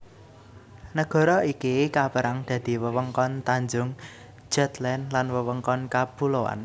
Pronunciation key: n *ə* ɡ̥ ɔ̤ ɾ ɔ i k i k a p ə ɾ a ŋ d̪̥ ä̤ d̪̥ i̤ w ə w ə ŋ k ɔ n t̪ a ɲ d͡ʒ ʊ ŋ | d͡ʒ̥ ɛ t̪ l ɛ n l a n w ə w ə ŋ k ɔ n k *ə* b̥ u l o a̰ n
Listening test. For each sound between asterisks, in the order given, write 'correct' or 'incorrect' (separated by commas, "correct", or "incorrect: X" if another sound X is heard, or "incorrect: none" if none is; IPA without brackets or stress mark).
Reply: correct, incorrect: a